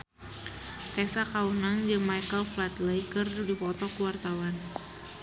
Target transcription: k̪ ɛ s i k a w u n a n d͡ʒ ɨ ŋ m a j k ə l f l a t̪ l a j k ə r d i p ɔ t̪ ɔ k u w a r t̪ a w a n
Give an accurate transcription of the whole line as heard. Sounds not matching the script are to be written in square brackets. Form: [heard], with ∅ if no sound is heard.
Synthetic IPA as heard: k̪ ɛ s [a] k a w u n a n d͡ʒ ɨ ŋ m a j k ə l f l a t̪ l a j k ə r d i p ɔ t̪ ɔ k u w a r t̪ a w a n

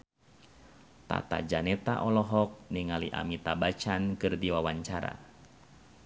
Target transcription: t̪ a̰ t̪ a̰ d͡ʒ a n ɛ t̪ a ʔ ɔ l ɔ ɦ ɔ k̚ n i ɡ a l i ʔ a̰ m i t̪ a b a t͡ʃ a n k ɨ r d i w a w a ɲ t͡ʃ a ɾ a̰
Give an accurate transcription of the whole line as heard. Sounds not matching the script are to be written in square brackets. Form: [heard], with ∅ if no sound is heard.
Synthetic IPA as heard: t̪ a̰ t̪ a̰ d͡ʒ a n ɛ t̪ a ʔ ɔ l ɔ ɦ ɔ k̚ n i [ŋ] a l i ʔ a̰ m i t̪ a b a t͡ʃ a n k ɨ r d i w a w a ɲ t͡ʃ a ɾ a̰

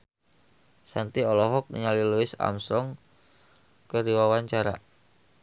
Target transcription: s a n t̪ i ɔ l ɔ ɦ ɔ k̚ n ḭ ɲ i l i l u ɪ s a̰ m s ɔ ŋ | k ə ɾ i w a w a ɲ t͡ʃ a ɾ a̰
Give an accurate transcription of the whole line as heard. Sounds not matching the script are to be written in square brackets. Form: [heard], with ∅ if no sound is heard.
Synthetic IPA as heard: s a n t̪ i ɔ l ɔ ɦ ɔ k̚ n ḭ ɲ [a] l i l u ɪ s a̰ m s ɔ ŋ | k ə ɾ i w a w a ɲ t͡ʃ a ɾ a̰

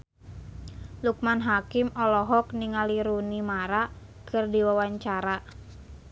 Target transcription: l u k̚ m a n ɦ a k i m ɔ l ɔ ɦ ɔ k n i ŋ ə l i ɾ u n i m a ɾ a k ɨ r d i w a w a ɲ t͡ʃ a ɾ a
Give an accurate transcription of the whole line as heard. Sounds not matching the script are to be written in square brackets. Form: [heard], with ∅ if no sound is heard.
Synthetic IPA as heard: l u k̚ m a n ɦ a k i m ɔ l ɔ ɦ ɔ k n i ŋ [a] l i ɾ u n i m a ɾ a k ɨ r d i w a w a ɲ t͡ʃ a ɾ a

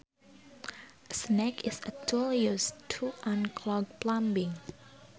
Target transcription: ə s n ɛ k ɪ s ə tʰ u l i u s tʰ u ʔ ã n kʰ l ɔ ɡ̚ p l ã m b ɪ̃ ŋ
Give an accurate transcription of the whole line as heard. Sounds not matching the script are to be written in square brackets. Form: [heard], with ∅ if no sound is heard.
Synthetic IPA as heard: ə s n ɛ k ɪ s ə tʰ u l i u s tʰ u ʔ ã n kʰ l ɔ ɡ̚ p l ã m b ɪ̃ ŋ

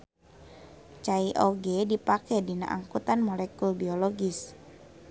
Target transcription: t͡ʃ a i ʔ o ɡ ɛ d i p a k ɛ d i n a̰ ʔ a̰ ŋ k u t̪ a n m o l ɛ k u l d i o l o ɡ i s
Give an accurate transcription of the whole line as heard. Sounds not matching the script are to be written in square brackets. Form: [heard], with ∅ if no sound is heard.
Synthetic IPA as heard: t͡ʃ a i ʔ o ɡ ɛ d i p a k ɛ d i n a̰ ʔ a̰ ŋ k u t̪ a n m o l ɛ k u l [b] i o l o ɡ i s

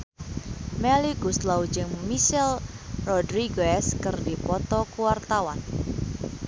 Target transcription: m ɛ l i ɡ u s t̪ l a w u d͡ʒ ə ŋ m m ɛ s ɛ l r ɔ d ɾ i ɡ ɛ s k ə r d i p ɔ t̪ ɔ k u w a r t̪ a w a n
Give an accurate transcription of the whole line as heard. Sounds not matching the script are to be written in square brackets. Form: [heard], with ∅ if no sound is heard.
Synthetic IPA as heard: m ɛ l i ɡ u s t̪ l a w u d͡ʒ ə ŋ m m [i] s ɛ l r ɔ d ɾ i ɡ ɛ s k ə r d i p ɔ t̪ ɔ k u w a r t̪ a w a n

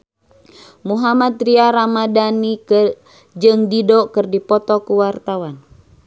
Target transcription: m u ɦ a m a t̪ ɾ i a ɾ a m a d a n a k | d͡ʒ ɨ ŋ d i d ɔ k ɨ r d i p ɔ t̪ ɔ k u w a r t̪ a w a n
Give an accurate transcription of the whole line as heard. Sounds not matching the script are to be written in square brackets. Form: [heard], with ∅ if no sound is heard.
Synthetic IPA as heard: m u ɦ a m a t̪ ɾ i a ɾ a m a d a n [i] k | d͡ʒ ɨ ŋ d i d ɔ k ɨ r d i p ɔ t̪ ɔ k u w a r t̪ a w a n

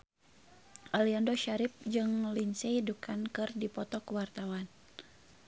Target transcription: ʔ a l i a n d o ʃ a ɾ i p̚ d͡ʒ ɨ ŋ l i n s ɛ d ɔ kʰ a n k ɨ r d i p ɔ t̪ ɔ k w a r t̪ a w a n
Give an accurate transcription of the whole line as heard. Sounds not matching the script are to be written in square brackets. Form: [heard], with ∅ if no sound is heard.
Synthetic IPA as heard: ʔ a l i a n d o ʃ a ɾ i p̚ d͡ʒ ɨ ŋ l i n s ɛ d [u] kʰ a n k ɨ r d i p ɔ t̪ ɔ k w a r t̪ a w a n

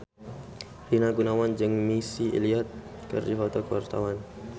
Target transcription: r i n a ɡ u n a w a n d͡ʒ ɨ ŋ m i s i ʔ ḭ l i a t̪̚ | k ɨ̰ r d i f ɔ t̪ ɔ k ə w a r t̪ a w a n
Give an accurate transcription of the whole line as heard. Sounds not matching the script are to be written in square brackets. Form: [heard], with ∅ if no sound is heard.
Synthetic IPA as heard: r i n a ɡ u n a w a n d͡ʒ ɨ ŋ m i s i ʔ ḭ l i a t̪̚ | k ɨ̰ r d i f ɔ t̪ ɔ k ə w a r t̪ a w a n

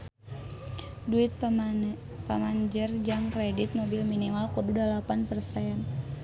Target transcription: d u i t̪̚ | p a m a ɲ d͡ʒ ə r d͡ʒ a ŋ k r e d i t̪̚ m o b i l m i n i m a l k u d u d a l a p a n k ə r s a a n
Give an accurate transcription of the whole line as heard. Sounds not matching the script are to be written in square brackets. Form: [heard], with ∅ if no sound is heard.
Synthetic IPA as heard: d u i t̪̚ | p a m a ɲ d͡ʒ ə r d͡ʒ a ŋ k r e d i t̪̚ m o b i l m i n i m a l k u d u d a l a p a n [p] ə r s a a n

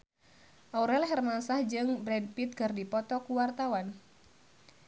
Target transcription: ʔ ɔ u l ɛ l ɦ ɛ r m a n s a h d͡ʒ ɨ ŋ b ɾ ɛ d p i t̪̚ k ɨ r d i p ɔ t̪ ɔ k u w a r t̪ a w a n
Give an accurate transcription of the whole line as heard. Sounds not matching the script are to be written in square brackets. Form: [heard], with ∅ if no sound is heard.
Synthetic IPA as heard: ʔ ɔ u [ɾ] ɛ l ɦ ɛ r m a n s a h d͡ʒ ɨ ŋ b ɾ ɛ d p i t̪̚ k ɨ r d i p ɔ t̪ ɔ k u w a r t̪ a w a n

